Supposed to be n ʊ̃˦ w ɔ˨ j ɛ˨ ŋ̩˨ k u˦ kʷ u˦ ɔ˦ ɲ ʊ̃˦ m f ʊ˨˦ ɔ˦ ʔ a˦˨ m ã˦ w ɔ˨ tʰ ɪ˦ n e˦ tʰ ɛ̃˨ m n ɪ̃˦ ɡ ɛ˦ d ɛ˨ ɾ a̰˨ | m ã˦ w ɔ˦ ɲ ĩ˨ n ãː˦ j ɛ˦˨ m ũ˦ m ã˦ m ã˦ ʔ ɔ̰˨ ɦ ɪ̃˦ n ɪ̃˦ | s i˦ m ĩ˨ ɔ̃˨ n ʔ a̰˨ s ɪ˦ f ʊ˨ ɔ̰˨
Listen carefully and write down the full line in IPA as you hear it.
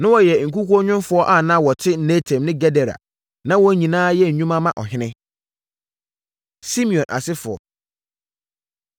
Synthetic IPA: n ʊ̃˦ w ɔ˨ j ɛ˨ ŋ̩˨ k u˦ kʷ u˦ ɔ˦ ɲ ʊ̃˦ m f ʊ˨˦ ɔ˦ ʔ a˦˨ n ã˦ w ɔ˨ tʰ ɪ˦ n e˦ tʰ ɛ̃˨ m n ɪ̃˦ ɡ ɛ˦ d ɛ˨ ɾ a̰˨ | n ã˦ w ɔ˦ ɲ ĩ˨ n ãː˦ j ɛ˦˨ ɲ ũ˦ m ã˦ m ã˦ ʔ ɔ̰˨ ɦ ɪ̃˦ n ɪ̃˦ | s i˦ m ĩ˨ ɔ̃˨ n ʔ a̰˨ s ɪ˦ f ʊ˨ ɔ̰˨